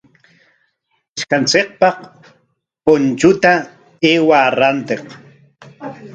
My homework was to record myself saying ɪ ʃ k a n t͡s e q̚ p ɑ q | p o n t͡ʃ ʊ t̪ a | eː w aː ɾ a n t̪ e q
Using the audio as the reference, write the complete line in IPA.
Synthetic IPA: ɪ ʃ k a n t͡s e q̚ p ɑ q | p o n t͡ʃ ʊ t̪ a | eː w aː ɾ a n t̪ e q